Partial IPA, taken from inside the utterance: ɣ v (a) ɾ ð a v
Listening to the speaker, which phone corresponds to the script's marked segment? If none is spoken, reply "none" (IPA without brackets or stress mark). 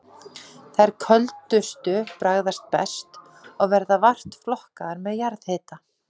ɛ